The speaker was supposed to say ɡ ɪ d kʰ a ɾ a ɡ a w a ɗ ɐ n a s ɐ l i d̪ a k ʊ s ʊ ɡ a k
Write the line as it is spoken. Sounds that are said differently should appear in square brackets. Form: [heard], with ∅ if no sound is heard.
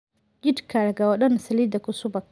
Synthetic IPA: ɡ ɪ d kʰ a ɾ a ɡ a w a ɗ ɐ n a s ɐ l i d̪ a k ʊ s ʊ [b] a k